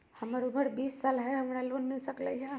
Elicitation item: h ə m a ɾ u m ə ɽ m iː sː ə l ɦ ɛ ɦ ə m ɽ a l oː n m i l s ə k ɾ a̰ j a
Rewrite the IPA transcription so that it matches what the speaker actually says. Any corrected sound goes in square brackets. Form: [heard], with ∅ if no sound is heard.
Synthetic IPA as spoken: h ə m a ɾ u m ə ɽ [b] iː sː [a] l ɦ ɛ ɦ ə m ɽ a l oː n m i l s ə k [l] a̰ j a